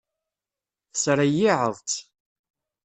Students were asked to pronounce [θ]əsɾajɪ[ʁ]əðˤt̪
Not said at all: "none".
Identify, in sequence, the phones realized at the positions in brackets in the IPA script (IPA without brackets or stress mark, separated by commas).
θ, ʕ